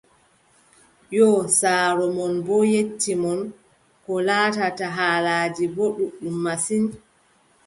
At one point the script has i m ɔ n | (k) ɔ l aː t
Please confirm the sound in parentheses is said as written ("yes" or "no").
yes